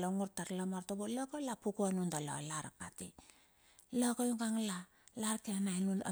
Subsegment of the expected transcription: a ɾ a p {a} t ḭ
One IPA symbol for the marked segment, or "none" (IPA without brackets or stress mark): a